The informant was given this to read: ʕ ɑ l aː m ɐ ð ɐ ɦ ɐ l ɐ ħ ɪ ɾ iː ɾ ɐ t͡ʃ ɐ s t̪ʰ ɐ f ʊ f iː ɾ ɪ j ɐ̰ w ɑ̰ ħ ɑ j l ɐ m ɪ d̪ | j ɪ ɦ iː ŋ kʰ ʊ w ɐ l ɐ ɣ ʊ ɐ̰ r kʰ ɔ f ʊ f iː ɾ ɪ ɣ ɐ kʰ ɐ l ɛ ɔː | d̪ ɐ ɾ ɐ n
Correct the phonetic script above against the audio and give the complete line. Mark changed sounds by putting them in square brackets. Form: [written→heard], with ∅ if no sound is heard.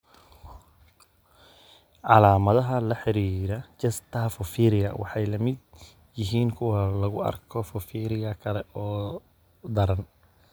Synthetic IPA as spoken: ʕ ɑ l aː m ɐ ð ɐ ɦ ɐ l ɐ ħ ɪ ɾ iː ɾ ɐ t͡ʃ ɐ s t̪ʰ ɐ f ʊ f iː ɾ ɪ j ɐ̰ w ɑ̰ ħ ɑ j l ɐ m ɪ d̪ | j ɪ ɦ iː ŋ kʰ ʊ w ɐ l ɐ ɣ ʊ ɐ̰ r kʰ ɔ f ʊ f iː ɾ ɪ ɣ ɐ kʰ ɐ l ɛ ɔː | d̪ ɐ ɾ ɐ n